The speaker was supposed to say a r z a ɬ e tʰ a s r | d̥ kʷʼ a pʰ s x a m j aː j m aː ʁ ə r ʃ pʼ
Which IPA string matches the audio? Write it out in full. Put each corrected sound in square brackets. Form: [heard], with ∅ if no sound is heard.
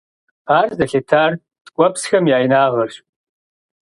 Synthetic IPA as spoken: a r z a ɬ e tʰ a [∅] r | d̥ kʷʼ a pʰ s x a m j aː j [n] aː ʁ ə r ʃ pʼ